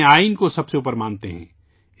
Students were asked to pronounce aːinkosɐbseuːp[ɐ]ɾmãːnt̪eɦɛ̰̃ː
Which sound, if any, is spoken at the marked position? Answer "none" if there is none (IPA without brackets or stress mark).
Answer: ə